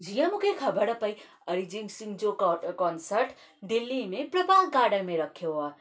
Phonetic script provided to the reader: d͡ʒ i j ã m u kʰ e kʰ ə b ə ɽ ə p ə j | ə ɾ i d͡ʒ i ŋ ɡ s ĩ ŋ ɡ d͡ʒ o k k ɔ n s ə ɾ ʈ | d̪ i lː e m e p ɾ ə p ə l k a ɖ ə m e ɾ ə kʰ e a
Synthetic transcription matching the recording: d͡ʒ i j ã m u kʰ e kʰ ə b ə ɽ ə p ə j | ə ɾ i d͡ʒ i ŋ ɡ s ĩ ŋ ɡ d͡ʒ o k k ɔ n s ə ɾ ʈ | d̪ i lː i m e p ɾ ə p a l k a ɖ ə m e ɾ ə kʰ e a